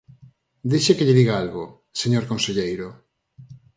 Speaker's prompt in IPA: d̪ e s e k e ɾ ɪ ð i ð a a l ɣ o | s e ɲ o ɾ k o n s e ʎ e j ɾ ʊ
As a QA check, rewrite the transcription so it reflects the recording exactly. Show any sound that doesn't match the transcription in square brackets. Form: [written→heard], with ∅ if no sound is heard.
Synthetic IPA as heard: d̪ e [s→ʃ] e k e [ɾ→ʎ] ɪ ð i [ð→ɣ] a a l ɣ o | s e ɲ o ɾ k o n s e ʎ e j ɾ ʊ